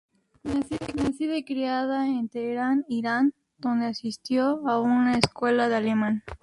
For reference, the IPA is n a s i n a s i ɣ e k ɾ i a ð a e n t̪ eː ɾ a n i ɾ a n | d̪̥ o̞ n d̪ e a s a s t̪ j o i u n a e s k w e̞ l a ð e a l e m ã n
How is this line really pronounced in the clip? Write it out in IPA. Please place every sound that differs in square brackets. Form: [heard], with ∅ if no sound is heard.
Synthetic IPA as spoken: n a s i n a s i [ð] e k ɾ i a ð a e n t̪ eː ɾ a n i ɾ a n | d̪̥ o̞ n d̪ e a s [i] s t̪ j o [a] u n a e s k w e̞ l a ð e a l e m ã n